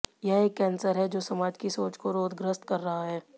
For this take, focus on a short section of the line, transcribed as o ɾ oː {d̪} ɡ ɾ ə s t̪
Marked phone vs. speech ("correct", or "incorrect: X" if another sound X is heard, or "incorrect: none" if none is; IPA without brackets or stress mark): correct